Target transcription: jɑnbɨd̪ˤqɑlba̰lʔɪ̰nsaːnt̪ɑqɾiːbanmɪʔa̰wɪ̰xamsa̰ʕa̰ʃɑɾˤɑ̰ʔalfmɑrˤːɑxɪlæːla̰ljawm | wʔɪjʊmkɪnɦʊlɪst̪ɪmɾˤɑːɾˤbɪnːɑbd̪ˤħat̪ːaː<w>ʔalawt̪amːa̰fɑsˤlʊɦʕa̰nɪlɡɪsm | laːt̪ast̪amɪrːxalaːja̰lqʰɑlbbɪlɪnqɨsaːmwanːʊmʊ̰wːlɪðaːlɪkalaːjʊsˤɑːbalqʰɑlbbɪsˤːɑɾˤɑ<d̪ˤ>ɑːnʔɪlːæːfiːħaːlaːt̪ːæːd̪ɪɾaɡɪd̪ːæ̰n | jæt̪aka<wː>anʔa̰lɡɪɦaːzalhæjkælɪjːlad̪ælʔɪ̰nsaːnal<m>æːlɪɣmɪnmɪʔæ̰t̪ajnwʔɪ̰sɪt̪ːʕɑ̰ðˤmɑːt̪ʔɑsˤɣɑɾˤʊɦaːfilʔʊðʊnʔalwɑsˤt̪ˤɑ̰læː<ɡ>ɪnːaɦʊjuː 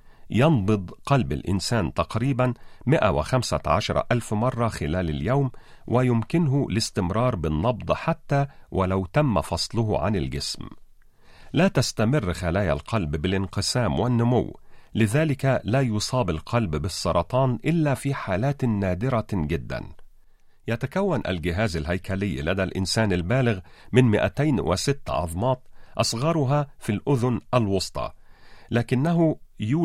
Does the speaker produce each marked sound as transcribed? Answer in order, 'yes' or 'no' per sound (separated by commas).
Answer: yes, no, yes, no, no